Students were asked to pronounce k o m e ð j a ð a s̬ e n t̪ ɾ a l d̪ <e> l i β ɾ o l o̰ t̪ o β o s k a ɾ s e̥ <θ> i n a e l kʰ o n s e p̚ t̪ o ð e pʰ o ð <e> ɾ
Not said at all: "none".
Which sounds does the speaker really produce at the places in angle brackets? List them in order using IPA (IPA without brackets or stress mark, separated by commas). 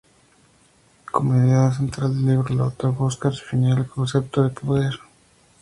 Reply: e, f, e